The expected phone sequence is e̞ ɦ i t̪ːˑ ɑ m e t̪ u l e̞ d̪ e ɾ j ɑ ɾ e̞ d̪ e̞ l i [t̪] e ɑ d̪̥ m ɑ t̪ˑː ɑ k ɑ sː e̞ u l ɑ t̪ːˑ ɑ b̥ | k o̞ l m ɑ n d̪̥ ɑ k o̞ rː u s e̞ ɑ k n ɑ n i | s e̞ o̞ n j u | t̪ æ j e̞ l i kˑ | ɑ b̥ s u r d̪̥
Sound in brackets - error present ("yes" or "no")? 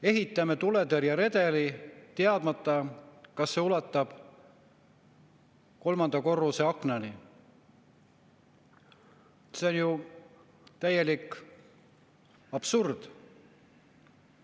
no